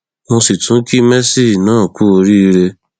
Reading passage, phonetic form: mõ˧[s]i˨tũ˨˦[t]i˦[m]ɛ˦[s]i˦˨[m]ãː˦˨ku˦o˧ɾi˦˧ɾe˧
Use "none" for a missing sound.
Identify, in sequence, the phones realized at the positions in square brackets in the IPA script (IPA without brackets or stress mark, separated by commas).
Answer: s, k, m, s, n